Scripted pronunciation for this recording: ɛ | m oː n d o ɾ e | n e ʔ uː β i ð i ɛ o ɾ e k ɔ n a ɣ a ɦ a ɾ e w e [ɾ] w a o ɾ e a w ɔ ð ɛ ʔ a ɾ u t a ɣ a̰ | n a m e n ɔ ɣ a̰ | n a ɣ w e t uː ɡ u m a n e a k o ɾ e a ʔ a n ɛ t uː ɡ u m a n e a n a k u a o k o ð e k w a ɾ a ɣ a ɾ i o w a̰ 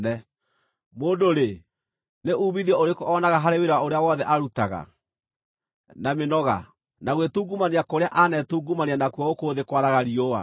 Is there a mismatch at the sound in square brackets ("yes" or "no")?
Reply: no